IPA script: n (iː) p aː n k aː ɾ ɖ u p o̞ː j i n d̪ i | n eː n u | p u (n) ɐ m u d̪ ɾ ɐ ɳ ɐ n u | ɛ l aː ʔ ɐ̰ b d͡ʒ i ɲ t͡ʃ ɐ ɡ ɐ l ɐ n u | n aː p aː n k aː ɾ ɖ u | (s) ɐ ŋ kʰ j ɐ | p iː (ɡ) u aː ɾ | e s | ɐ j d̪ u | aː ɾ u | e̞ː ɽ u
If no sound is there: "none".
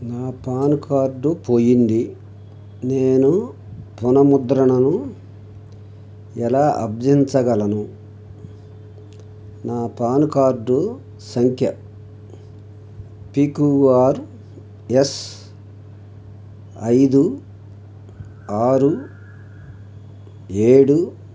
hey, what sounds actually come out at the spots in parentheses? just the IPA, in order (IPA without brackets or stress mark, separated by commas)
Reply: aː, n, s, k